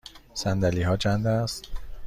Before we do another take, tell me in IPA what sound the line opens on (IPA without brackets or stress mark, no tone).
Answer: s